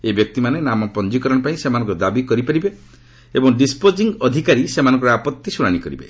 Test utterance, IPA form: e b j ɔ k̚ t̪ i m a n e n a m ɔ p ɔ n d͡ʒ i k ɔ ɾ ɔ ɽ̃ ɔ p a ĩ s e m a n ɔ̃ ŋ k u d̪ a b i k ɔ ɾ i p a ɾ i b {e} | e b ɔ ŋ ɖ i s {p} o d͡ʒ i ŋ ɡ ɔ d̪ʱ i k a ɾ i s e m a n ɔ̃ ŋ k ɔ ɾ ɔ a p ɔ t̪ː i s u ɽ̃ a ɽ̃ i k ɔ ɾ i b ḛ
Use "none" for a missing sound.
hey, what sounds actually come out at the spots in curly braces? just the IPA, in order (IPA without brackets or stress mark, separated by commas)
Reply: e, p